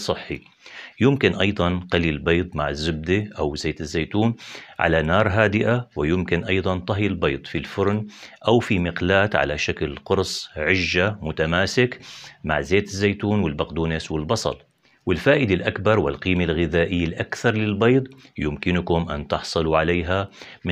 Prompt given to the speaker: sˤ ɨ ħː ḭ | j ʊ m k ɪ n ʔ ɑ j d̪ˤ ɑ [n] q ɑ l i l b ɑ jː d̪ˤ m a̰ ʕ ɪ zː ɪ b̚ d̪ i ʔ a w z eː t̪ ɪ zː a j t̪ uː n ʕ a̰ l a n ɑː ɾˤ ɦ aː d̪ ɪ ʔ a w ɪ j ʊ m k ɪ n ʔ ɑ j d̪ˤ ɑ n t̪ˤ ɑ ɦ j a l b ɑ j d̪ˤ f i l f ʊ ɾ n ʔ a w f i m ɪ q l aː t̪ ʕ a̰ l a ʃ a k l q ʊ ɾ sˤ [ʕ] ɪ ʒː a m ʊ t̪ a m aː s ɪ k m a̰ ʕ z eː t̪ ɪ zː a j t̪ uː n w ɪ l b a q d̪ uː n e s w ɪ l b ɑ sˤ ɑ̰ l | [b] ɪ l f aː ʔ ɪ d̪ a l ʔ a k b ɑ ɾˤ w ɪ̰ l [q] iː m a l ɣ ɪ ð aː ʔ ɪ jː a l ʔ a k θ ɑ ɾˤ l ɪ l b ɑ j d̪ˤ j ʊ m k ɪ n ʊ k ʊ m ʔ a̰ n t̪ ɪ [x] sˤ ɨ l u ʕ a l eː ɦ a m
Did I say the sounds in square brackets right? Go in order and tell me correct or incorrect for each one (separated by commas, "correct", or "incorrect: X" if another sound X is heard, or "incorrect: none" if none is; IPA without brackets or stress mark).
correct, correct, incorrect: w, correct, incorrect: ħ